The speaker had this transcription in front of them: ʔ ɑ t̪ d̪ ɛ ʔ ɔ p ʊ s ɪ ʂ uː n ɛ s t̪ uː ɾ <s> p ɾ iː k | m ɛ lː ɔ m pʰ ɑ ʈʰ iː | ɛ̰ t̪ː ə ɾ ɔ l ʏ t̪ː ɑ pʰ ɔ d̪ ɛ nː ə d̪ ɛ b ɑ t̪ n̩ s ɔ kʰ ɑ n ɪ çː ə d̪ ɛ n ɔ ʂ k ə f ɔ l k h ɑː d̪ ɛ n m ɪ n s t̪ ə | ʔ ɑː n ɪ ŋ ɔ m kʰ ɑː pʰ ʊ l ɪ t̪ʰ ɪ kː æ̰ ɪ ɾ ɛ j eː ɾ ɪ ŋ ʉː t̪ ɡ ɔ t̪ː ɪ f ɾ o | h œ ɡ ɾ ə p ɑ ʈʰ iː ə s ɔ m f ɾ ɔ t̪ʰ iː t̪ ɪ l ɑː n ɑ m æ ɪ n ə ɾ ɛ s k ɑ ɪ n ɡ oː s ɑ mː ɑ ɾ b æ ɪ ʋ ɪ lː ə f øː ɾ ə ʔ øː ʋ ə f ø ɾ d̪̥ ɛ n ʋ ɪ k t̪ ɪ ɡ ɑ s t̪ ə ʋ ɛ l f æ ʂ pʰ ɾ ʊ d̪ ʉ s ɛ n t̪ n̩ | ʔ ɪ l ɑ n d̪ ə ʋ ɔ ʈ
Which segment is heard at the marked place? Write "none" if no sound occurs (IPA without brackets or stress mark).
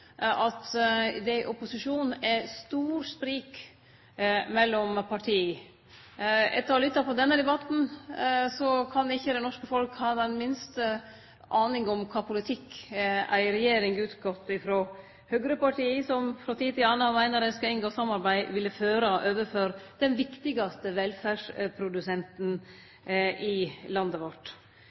s